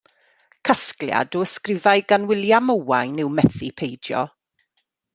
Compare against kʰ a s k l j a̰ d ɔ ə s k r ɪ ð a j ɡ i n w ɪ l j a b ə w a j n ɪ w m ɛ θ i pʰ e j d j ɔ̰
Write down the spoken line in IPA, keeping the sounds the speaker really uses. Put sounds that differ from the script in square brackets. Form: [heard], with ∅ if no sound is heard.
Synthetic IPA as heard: kʰ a s k l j a̰ d ɔ ə s k r ɪ [v] a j ɡ [a] n w ɪ l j a [m] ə w a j n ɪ w m ɛ θ i pʰ e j d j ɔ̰